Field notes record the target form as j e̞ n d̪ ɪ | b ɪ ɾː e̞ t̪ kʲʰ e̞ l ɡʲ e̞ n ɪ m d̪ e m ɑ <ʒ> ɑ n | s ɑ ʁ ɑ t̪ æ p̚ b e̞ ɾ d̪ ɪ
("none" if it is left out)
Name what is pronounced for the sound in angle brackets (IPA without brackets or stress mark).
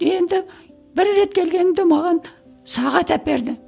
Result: ʁ